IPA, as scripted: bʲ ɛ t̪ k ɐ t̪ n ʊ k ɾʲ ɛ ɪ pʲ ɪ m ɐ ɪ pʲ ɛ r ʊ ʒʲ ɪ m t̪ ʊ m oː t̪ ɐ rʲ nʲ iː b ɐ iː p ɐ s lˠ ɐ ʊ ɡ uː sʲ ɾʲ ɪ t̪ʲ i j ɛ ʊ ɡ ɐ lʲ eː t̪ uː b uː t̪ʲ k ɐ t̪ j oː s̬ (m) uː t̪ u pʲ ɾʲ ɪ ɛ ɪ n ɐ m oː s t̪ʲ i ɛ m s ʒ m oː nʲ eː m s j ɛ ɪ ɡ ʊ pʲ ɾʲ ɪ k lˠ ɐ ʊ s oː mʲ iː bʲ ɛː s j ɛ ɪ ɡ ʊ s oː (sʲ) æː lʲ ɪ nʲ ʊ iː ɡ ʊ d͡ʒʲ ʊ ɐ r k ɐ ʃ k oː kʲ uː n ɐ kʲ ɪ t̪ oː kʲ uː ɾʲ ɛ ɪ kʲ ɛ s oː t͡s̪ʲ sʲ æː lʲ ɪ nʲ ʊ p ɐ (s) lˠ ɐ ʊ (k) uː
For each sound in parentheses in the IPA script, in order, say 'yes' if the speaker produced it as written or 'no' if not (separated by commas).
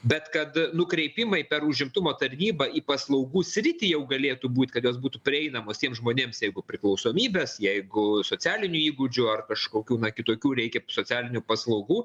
no, no, yes, no